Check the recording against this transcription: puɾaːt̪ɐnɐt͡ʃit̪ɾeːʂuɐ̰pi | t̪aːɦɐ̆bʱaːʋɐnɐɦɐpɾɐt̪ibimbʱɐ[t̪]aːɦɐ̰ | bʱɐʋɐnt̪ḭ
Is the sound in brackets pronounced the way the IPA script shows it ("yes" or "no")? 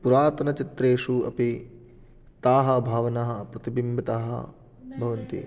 yes